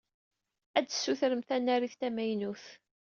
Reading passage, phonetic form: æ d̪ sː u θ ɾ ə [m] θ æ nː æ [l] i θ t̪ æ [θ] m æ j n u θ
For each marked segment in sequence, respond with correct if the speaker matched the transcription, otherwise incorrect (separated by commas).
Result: correct, incorrect, incorrect